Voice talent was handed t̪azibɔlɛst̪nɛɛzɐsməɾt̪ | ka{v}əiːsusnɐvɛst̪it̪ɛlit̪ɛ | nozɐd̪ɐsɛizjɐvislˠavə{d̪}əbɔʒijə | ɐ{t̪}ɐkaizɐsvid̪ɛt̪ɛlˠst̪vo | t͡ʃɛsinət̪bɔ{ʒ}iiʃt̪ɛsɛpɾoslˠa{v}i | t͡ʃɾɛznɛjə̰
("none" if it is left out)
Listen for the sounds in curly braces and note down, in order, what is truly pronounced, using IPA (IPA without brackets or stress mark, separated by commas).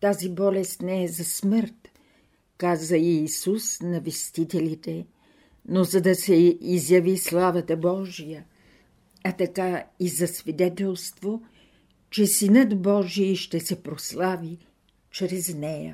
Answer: z, t̪, t̪, ʒ, v